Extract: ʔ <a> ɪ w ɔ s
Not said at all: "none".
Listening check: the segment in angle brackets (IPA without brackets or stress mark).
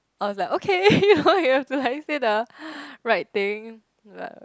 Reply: a